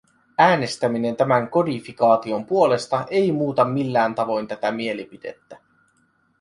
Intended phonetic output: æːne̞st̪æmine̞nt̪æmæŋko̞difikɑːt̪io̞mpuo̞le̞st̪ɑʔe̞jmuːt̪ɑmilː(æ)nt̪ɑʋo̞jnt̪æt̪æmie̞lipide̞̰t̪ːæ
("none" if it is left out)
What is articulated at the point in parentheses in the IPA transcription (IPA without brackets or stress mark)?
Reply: æː